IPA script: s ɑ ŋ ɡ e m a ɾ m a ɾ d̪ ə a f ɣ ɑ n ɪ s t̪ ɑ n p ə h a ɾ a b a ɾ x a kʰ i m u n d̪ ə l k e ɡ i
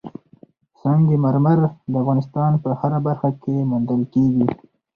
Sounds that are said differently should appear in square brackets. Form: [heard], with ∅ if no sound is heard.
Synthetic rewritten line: s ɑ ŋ ɡ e m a ɾ m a ɾ d̪ ə a f ɣ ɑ n ɪ s t̪ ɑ n p ə h a ɾ a b a ɾ x a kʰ [e] m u n d̪ ə l k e ɡ i